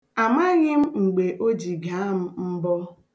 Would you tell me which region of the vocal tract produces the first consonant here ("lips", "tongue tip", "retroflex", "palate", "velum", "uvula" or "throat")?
lips